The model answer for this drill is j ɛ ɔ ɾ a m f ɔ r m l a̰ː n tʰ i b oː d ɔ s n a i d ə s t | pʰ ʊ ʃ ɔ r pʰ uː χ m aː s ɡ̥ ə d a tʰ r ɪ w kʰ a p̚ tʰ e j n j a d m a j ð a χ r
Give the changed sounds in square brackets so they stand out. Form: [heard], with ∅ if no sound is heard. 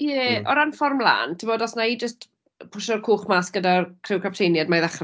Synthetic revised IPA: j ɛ ɔ ɾ a [n] f ɔ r m l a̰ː n tʰ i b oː d ɔ s n a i [d͡ʒ] ə s t | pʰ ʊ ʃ ɔ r [kʰ] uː χ m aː s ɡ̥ ə d a [kʰ] r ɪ w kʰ a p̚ tʰ e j n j a d m a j ð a χ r